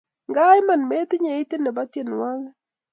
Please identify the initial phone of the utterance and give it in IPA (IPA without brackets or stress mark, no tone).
ŋ